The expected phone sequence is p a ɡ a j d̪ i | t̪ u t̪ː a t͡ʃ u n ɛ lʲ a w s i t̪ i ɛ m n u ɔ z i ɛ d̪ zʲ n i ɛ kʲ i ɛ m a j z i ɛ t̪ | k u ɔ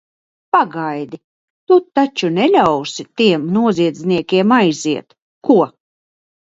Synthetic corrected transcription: p a ɡ a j d̪ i | t̪ u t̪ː a t͡ʃ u n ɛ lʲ a w s i t̪ i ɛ m n u ɔ z i ɛ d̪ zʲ n i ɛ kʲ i ɛ m a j z i ɛ t̪ | k u ɔ